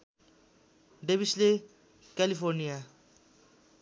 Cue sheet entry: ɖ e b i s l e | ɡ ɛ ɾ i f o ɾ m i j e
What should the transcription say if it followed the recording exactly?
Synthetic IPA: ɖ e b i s l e | k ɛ l i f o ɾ n i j a